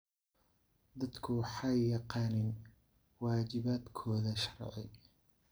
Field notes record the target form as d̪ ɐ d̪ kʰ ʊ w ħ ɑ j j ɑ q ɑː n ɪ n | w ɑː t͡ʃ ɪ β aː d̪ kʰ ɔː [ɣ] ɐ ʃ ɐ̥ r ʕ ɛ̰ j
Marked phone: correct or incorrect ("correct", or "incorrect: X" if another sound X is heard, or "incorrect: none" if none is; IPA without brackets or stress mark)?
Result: incorrect: ð